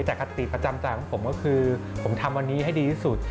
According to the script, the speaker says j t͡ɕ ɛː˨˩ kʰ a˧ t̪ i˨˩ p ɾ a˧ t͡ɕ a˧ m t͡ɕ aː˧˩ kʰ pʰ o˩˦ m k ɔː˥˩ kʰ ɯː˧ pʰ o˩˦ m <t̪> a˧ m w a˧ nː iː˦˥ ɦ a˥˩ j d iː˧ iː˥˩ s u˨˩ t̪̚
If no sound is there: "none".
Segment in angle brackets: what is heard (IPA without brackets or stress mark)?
t̪ʰ